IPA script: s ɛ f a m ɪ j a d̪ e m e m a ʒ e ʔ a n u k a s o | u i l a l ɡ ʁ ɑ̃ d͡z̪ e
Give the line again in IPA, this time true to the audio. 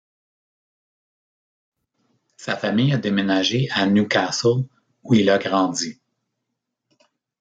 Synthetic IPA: s a f a m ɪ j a d̪ e m e n a ʒ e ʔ a n u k a s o | u i l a ɡ ʁ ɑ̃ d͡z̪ i

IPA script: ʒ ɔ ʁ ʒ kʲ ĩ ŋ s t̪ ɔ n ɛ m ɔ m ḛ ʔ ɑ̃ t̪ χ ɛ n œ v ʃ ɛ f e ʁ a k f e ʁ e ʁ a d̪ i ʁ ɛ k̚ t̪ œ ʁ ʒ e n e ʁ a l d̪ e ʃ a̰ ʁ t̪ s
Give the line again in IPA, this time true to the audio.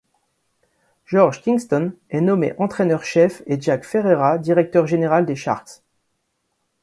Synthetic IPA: ʒ ɔ ʁ ʒ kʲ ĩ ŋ s t̪ ɔ n ɛ n ɔ m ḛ ʔ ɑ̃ t̪ χ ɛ n œ ʁ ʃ ɛ f e ʒ a k f e ʁ e ʁ a d̪ i ʁ ɛ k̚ t̪ œ ʁ ʒ e n e ʁ a l d̪ e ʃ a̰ ʁ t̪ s

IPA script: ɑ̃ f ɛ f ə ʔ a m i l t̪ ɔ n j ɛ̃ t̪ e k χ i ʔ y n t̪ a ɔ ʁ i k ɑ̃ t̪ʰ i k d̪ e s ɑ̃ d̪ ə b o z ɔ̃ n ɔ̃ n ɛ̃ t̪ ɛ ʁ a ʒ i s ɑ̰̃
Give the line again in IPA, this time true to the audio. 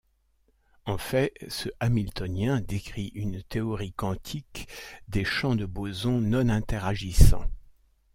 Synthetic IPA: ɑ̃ f ɛ s ə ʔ a m i l t̪ ɔ n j ɛ̃ d̪ e k χ i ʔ y n t̪ e ɔ ʁ i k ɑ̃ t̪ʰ i k d̪ e ʃ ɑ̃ d̪ ə b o z ɔ̃ n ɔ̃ n ɛ̃ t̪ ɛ ʁ a ʒ i s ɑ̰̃

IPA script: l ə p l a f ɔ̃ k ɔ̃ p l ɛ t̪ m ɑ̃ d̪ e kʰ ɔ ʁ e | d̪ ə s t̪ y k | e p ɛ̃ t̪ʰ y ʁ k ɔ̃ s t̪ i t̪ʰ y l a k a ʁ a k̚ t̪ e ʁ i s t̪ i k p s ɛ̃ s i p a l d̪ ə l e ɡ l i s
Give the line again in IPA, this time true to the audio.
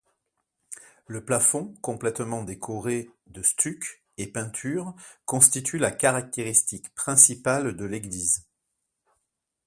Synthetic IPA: l ə p l a f ɔ̃ k ɔ̃ p l ɛ t̪ m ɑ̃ d̪ e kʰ ɔ ʁ e | d̪ ə s t̪ y k | e p ɛ̃ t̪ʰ y ʁ k ɔ̃ s t̪ i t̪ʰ y l a k a ʁ a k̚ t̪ e ʁ i s t̪ i k p χ ɛ̃ s i p a l d̪ ə l e ɡ l i z

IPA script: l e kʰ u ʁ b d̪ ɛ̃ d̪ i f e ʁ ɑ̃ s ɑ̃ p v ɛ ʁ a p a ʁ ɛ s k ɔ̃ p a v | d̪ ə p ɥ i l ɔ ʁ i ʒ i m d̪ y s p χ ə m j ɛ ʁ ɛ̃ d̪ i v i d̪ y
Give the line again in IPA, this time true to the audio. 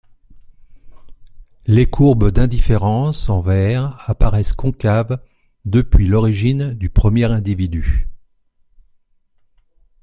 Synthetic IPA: l e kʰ u ʁ b d̪ ɛ̃ d̪ i f e ʁ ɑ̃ s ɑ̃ v ɛ ʁ a p a ʁ ɛ s k ɔ̃ k a v | d̪ ə p ɥ i l ɔ ʁ i ʒ i n d̪ y p χ ə m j ɛ ʁ ɛ̃ d̪ i v i d̪ y

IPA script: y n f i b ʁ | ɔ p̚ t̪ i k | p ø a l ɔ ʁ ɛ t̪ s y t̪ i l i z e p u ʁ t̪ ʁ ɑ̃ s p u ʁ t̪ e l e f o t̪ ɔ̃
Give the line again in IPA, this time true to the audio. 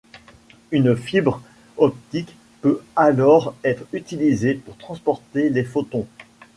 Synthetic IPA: y n f i b ʁ | ɔ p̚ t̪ i k | p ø a l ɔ ʁ ɛ t̪ χ y t̪ i l i z e p u ʁ t̪ χ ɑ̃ s p ɔ ʁ t̪ e l e f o t̪ ɔ̃

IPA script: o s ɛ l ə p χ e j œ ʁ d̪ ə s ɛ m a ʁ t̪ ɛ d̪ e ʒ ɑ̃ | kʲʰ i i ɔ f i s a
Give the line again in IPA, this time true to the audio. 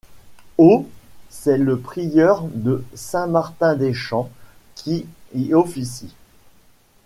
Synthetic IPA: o s ɛ l ə p χ i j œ ʁ d̪ ə s ɛ̃ m a ʁ t̪ ɛ̃ d̪ e ʃ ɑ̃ | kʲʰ i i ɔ f i s i

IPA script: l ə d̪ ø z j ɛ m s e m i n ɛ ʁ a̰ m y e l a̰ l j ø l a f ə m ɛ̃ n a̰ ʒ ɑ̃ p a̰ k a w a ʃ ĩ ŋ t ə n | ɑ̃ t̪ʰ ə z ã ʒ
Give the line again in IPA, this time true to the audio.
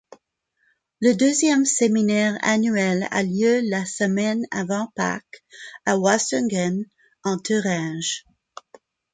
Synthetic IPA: l ə d̪ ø z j ɛ m s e m i n ɛ ʁ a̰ n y ɛ l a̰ l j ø l a s ə m ɛ n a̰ v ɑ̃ p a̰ k a w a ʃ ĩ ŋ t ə n | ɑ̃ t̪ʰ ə ʁ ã ʒ

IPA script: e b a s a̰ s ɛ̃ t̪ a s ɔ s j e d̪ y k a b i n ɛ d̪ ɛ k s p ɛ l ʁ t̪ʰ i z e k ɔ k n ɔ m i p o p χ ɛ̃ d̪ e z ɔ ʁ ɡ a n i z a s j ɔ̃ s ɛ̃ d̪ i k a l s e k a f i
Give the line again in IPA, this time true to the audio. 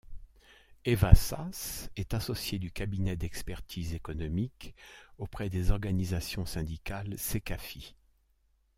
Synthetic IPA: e v a s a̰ s ɛ t̪ a s ɔ s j e d̪ y k a b i n ɛ d̪ ɛ k s p ɛ ʁ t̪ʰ i z e k ɔ n ɔ m i k o p χ ɛ d̪ e z ɔ ʁ ɡ a n i z a s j ɔ̃ s ɛ̃ d̪ i k a l s e k a f i

